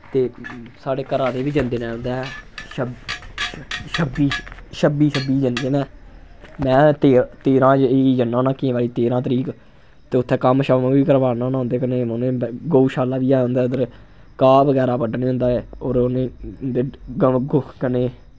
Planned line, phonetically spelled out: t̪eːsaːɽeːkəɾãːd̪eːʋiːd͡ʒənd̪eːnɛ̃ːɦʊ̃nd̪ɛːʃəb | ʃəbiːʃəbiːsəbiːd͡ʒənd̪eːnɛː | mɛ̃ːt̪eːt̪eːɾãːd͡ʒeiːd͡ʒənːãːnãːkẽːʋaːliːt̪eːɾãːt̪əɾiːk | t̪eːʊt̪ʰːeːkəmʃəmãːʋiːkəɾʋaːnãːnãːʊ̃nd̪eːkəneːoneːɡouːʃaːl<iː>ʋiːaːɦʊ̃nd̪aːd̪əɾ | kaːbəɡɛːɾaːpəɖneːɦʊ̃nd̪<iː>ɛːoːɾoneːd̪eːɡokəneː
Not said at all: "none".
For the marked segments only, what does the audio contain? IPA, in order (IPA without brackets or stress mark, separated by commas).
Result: aː, aː